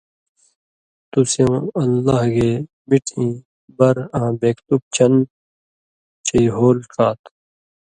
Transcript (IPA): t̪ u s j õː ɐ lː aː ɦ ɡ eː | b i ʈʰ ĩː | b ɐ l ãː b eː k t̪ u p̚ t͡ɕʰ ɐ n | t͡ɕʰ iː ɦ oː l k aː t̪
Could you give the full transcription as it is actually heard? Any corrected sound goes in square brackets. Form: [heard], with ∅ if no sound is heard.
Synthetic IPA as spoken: t̪ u s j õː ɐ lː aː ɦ ɡ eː | b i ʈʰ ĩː | b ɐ [ɾ] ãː b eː k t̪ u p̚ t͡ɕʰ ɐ n | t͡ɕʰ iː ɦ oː l k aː t̪